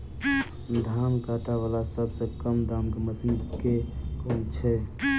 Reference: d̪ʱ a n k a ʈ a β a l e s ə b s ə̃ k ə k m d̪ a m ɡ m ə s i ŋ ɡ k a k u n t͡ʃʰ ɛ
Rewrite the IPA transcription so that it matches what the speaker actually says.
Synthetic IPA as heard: d̪ʱ a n k a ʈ a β a l a s ə b s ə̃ k ə m d̪ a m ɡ m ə s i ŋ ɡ k e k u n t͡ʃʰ ɛ